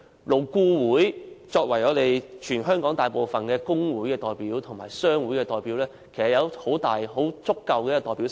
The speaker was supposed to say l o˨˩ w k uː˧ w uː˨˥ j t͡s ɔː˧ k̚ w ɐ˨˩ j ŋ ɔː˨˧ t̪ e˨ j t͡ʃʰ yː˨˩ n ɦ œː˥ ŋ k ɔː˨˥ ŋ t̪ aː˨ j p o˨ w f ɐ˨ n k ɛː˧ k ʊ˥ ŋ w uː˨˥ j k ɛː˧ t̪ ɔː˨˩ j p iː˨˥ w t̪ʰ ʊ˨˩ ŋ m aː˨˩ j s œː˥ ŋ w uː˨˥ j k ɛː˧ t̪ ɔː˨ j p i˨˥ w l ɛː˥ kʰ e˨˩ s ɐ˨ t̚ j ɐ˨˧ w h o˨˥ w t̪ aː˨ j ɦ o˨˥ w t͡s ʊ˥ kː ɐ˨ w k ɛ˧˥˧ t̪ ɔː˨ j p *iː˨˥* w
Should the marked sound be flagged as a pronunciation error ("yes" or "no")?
yes